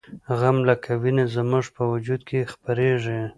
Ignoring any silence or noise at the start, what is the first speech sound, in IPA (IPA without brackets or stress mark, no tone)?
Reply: ɣ